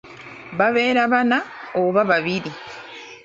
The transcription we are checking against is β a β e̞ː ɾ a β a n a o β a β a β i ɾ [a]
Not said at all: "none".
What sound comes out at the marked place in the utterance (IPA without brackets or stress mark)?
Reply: i